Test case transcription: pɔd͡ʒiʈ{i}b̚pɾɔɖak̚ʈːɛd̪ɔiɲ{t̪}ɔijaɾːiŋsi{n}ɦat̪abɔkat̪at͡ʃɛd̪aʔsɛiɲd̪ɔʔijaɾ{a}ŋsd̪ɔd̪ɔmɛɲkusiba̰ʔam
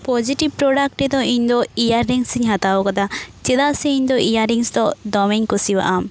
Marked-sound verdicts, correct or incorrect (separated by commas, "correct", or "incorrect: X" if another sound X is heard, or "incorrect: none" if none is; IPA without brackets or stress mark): correct, incorrect: d̪, incorrect: ɲ, incorrect: i